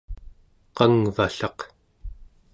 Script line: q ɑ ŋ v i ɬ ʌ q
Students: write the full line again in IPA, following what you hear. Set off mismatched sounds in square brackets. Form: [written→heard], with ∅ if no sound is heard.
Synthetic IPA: q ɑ ŋ v [i→a] ɬ [ʌ→ɑ] q